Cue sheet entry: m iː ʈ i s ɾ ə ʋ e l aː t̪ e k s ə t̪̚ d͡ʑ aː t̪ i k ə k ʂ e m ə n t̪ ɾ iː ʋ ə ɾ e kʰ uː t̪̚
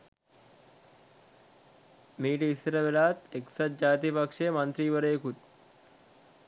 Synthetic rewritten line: m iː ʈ i s ɾ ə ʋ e l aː t̪ e k s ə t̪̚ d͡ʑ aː t̪ i p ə k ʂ e m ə n t̪ ɾ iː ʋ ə ɾ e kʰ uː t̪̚

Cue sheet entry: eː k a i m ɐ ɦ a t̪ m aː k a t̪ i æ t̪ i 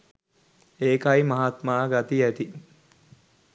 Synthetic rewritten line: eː k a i m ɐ ɦ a t̪ m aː ɡ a t̪ i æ t̪ i

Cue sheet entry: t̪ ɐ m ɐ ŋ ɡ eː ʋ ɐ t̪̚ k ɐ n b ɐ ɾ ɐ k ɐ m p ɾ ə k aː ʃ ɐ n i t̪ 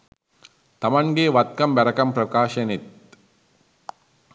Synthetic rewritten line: t̪ ɐ m ɐ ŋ ɡ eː ʋ ɐ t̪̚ k ɐ m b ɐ ɾ ɐ k ɐ m p ɾ ɐ k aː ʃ ɐ n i t̪

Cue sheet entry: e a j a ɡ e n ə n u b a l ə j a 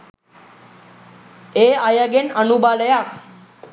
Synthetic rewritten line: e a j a ɡ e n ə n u b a l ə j a

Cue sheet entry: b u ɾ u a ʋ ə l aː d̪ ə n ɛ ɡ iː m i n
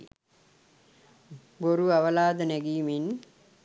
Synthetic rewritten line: b o ɾ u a ʋ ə l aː d̪ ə n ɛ ɡ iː m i n

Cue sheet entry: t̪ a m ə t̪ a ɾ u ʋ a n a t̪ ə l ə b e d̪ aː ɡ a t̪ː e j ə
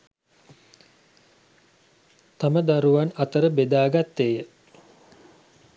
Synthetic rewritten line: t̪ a m ə d̪ a ɾ u ʋ a n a t̪ ə ɾ ə b e d̪ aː ɡ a t̪ː e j ə

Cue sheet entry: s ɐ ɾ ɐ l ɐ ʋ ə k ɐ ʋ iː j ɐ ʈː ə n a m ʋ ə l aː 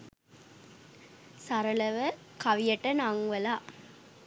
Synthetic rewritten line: s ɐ ɾ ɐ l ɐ ʋ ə k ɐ ʋ i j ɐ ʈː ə n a ŋ ʋ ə l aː

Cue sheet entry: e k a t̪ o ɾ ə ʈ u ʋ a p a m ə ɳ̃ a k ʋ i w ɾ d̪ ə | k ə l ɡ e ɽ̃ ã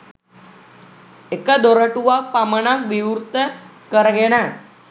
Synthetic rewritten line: e k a d̪ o ɾ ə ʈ u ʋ a p a m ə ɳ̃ a k ʋ i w ɾ t̪ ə | k ə ɾ ɡ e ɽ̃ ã

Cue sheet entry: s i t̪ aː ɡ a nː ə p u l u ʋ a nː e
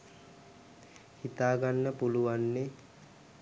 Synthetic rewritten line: h i t̪ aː ɡ a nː ə p u l u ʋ a nː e

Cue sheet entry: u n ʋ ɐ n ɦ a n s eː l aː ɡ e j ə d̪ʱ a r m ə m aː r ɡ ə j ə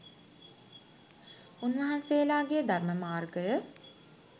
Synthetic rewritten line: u n ʋ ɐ ɦ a n s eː l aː ɡ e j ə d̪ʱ a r m ə m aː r ɡ ə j ə

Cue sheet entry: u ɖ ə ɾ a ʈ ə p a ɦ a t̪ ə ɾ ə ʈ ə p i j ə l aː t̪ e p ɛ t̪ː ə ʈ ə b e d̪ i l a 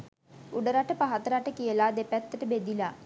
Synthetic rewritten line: u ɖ ə ɾ a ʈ ə p a ɦ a t̪ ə ɾ a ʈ ə k i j ə l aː d̪ e p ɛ t̪ː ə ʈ ə b e d̪ i l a

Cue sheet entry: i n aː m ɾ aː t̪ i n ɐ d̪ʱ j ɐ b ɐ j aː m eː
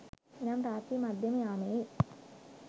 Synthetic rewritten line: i n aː m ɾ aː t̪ i m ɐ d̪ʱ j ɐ m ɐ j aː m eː

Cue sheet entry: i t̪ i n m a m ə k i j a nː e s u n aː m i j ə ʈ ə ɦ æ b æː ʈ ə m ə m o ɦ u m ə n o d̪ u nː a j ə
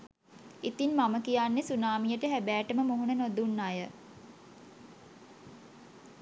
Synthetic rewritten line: i t̪ i n m a m ə k i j a nː e s u n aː m i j ə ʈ ə ɦ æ b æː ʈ ə m ə m o ɦ u n ə n o d̪ u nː a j ə

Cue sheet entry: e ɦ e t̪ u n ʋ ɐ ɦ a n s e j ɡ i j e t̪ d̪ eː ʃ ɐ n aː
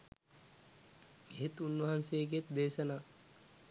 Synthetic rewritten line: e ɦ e t̪ u n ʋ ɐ ɦ a n s e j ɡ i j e t̪ d̪ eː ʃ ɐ n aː

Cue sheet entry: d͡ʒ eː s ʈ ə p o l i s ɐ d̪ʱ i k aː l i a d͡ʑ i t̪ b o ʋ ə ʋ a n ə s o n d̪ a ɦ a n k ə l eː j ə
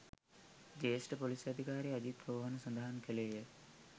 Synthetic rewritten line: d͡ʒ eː s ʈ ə p o l i s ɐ d̪ʱ i k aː ɾ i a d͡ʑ i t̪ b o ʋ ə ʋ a n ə s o n d̪ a ɦ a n k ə l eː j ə

